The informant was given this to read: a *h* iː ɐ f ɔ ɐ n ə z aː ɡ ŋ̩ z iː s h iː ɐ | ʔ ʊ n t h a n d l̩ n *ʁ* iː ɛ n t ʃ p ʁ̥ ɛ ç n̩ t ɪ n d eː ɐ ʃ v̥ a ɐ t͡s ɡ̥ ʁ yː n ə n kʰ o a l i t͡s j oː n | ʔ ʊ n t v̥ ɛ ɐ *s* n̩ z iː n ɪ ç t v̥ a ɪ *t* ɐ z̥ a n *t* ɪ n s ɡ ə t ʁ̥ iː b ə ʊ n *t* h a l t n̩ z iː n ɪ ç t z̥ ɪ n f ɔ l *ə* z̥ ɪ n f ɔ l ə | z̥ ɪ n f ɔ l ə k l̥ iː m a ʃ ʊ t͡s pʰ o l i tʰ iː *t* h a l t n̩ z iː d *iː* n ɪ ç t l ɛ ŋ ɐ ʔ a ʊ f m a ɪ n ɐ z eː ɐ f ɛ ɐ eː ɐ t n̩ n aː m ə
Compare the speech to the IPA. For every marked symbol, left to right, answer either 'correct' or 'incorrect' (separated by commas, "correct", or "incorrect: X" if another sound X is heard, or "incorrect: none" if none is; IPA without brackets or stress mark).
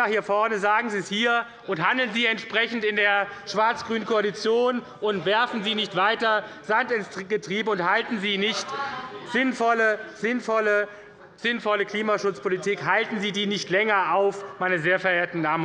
correct, incorrect: z, incorrect: f, correct, correct, correct, correct, incorrect: k, correct